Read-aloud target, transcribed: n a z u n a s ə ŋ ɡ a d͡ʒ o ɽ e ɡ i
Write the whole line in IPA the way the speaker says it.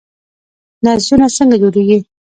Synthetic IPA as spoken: n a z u n a s ə ŋ ɡ a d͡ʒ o ɾ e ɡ i